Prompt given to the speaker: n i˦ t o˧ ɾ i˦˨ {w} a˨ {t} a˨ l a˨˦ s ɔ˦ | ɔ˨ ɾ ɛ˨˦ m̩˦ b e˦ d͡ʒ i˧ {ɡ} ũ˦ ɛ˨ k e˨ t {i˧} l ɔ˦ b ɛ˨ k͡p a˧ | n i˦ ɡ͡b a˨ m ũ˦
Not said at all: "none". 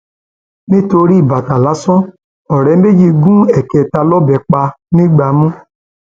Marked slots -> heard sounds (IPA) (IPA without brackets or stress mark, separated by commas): b, t, ɡ, a˧